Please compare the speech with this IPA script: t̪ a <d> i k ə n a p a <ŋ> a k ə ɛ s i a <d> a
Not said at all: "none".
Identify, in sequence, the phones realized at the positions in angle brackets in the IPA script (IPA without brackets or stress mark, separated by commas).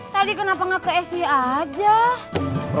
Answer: d, ŋ, d͡ʒ